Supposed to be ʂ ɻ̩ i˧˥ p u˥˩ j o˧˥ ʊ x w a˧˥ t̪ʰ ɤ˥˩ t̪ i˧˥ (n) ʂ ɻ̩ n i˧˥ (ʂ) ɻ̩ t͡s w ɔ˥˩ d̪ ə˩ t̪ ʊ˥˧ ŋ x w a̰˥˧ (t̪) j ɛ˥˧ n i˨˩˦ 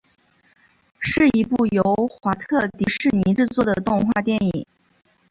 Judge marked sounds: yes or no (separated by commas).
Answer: no, no, yes